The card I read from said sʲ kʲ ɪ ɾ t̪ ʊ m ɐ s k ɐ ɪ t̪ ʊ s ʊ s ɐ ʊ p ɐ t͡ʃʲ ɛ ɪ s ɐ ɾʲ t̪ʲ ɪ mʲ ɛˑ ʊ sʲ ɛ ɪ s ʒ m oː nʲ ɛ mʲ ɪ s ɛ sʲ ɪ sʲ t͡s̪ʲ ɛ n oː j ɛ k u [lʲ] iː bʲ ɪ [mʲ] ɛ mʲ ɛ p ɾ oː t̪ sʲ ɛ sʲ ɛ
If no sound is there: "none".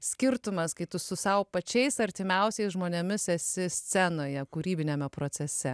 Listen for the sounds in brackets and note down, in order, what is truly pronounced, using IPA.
ɾʲ, nʲ

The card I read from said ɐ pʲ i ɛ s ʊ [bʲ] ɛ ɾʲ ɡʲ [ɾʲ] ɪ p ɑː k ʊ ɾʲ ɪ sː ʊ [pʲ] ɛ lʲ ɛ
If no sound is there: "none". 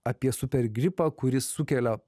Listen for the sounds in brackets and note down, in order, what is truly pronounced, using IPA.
pʲ, ɾʲ, kʲ

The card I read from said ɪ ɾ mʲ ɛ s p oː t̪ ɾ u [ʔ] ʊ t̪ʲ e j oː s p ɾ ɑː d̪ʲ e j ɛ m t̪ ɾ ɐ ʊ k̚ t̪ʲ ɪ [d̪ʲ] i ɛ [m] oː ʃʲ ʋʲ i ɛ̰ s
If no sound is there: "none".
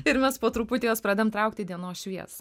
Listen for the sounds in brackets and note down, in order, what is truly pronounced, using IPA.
p, d̪ʲ, n

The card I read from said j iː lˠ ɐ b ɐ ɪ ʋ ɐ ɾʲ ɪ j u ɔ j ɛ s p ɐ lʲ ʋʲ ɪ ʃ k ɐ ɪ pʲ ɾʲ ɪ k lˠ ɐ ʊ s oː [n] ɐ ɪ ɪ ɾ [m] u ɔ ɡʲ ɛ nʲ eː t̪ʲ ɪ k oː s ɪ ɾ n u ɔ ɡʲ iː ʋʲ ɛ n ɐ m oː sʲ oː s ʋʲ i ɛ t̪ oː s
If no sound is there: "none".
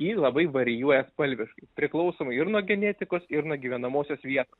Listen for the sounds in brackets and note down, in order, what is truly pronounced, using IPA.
m, n

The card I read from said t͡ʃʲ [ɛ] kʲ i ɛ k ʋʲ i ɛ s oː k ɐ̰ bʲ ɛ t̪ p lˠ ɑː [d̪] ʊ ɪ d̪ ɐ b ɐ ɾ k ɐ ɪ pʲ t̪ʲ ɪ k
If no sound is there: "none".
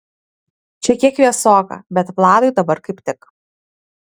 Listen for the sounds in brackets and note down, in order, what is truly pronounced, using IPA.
ɛ, d̪

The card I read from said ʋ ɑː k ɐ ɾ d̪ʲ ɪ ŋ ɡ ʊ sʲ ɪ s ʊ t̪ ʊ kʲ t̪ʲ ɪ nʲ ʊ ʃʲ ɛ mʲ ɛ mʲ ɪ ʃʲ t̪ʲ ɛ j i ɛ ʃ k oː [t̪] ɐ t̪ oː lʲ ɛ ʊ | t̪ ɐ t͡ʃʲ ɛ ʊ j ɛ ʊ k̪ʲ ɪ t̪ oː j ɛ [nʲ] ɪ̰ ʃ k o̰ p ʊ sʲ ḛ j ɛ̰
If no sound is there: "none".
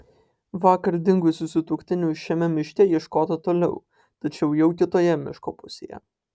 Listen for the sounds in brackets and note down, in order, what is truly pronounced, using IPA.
t̪, mʲ

